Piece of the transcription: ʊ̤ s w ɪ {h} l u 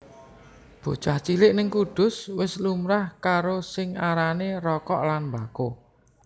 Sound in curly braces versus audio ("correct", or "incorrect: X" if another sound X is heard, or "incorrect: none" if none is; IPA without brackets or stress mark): incorrect: s